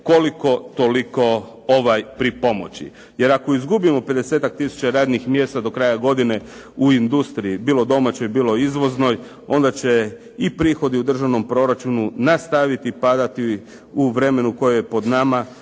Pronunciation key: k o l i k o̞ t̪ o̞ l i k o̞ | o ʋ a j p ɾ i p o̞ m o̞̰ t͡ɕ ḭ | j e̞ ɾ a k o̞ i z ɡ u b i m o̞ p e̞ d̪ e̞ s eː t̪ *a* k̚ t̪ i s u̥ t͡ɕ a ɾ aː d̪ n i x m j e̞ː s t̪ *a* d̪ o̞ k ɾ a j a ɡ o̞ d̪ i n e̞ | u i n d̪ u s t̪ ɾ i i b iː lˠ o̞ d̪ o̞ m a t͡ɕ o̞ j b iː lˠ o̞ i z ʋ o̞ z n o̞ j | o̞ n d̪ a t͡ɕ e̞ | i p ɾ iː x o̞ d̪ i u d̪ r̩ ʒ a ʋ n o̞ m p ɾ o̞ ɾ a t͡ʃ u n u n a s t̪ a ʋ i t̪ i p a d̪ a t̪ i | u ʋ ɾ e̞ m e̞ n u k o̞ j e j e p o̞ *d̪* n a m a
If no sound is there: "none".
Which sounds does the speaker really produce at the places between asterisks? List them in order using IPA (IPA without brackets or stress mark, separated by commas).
a, a, d̪